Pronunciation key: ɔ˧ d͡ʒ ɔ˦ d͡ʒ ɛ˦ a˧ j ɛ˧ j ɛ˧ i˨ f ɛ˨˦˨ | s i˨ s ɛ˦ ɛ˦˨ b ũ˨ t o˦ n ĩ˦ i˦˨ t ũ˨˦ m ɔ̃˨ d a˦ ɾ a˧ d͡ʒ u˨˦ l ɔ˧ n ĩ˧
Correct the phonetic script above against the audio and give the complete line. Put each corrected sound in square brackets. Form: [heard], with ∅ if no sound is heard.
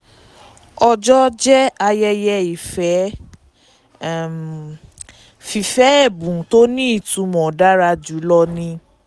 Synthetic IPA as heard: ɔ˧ d͡ʒ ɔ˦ d͡ʒ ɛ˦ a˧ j ɛ˧ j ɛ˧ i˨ f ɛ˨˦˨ | [f] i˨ [f] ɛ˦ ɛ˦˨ b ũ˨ t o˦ n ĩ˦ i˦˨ t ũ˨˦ m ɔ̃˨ d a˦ ɾ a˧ d͡ʒ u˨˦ l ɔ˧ n ĩ˧